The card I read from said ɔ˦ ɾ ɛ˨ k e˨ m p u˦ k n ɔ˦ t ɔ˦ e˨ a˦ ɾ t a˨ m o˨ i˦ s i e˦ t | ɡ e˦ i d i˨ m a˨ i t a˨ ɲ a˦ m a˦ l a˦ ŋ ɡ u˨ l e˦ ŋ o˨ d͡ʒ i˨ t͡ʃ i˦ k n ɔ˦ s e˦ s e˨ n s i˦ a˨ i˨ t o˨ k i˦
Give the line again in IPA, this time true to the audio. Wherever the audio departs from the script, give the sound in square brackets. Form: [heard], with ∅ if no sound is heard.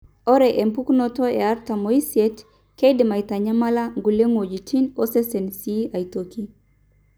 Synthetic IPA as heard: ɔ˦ ɾ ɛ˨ [ʔ] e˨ m p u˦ k n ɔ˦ t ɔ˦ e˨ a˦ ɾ t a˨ m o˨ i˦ s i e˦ t | [k] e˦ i d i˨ m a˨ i t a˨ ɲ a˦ m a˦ l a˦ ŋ ɡ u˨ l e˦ ŋ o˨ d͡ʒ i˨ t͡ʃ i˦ [∅] n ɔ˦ s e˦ s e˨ n s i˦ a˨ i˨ t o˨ k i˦